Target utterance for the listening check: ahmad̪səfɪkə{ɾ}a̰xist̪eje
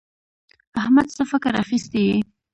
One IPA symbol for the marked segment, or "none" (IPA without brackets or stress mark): ɾ